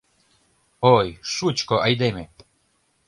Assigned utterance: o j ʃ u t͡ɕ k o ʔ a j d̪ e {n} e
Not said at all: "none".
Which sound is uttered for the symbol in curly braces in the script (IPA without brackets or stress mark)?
m